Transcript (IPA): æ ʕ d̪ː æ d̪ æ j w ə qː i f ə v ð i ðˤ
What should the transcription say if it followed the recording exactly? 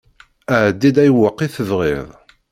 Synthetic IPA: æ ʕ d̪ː i d̪ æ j w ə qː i θ ə v ʁ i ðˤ